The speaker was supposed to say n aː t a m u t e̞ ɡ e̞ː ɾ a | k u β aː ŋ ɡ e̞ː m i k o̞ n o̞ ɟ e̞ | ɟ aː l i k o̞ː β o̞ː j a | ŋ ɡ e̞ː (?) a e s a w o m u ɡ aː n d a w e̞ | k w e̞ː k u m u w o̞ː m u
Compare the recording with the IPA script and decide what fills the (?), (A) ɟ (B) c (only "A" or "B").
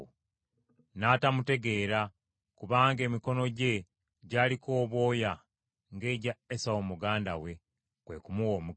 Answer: A